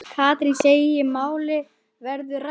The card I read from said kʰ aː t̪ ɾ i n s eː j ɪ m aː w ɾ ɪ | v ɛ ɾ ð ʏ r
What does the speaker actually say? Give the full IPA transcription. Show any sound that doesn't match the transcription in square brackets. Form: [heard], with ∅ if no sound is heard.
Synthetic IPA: kʰ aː t̪ ɾ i n s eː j ɪ m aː w [l] ɪ | v ɛ ɾ ð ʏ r